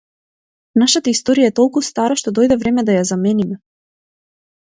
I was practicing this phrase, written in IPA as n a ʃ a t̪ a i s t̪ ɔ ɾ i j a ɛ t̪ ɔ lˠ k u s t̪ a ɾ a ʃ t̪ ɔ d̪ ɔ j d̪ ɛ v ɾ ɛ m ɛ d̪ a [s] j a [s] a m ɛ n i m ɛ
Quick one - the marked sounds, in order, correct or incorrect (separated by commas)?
incorrect, incorrect